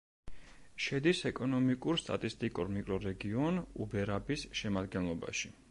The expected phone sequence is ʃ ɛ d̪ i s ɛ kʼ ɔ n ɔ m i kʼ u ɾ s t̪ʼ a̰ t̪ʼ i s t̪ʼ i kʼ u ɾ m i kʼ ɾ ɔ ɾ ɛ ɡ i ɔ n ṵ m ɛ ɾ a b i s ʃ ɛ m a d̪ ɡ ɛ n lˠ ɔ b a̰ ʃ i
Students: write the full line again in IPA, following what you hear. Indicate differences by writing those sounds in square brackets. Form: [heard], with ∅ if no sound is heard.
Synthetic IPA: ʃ ɛ d̪ i s ɛ kʼ ɔ n ɔ m i kʼ u ɾ s t̪ʼ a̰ t̪ʼ i s t̪ʼ i kʼ u ɾ m i kʼ ɾ ɔ ɾ ɛ ɡ i ɔ n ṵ [b] ɛ ɾ a b i s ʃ ɛ m a d̪ ɡ ɛ n lˠ ɔ b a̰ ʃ i